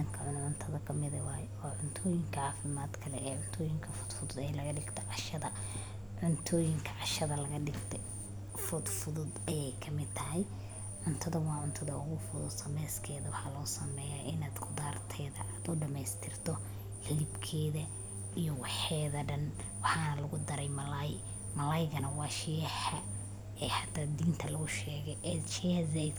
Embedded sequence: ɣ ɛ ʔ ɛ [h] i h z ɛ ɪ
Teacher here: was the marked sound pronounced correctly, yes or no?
no